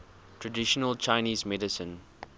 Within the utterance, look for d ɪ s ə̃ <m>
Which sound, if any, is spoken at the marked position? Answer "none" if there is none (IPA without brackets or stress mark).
n